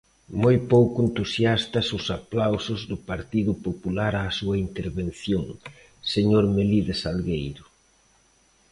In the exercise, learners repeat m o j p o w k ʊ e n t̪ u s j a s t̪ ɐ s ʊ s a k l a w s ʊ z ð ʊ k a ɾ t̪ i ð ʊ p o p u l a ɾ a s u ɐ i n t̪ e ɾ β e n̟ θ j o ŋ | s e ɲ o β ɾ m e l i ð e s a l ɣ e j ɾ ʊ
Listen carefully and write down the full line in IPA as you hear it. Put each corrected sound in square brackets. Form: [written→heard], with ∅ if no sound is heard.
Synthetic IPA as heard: m o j p o w k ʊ e n t̪ u s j a s t̪ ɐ s ʊ s a [k→p] l a w s ʊ z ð ʊ [k→p] a ɾ t̪ i ð ʊ p o p u l a ɾ a s u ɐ i n t̪ e ɾ β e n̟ θ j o ŋ | s e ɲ o [β→∅] ɾ m e l i ð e s a l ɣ e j ɾ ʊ

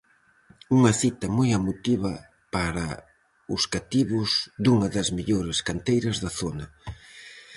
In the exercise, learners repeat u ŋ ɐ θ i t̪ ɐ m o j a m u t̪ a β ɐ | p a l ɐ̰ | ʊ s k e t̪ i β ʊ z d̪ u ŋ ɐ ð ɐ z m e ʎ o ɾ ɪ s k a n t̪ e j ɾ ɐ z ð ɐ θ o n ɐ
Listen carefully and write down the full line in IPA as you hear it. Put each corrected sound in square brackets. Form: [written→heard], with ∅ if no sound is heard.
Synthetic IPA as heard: u ŋ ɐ θ i t̪ ɐ m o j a m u t̪ [a→i] β ɐ | p a [l→ɾ] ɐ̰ | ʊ s k [e→a] t̪ i β ʊ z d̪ u ŋ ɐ ð ɐ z m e ʎ o ɾ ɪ s k a n t̪ e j ɾ ɐ z ð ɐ θ o n ɐ

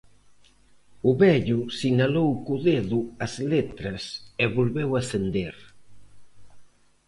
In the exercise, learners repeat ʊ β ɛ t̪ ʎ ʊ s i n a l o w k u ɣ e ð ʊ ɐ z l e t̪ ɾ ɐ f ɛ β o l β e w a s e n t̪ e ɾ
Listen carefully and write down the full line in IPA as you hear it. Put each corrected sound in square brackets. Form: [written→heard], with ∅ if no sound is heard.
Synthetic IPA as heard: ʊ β ɛ [t̪→∅] ʎ ʊ s i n a l o w k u [ɣ→ð] e ð ʊ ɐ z l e t̪ ɾ ɐ [f→s] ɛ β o l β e w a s e n [t̪→d̪] e ɾ

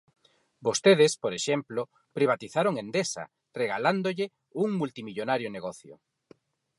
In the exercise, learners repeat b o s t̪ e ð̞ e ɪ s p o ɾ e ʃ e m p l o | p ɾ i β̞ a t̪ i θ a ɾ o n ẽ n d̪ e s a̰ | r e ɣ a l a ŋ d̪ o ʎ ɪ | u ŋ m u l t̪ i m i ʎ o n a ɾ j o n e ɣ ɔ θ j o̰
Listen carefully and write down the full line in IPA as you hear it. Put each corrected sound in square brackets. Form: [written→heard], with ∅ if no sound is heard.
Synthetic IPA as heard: b o s t̪ e ð̞ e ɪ s p o ɾ e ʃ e m p l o | p ɾ i β̞ a t̪ i θ a ɾ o [n→ŋ] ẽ n d̪ e s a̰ | r e ɣ a l a [ŋ→n] d̪ o ʎ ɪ | u ŋ m u l t̪ i m i ʎ o n a ɾ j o n e ɣ ɔ θ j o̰

